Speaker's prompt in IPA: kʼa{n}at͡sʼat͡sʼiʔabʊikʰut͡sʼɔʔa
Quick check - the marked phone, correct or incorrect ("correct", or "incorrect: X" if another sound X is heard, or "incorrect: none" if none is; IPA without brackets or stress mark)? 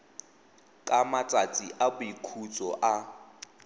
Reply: incorrect: m